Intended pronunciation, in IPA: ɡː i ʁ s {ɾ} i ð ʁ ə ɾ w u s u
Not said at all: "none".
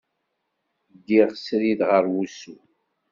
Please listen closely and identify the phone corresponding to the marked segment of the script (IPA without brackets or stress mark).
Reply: ɾ